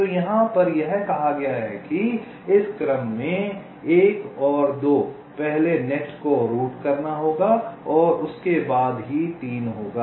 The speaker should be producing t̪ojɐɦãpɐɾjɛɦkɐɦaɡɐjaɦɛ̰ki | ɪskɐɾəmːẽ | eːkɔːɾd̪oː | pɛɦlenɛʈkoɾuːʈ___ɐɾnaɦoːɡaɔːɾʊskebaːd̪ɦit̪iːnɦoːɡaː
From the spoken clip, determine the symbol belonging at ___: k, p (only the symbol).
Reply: k